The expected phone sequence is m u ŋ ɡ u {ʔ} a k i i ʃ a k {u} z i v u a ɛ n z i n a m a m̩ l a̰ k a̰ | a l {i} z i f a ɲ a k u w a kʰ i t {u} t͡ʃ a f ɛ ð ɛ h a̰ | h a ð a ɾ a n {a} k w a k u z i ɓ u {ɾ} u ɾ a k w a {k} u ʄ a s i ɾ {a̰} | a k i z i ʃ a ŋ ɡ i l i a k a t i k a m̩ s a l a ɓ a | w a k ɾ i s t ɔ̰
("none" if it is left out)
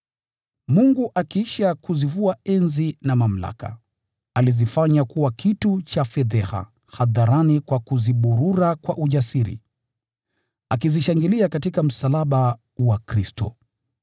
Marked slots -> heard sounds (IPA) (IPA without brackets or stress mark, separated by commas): ʔ, u, i, u, i, ɾ, ʔ, ḭ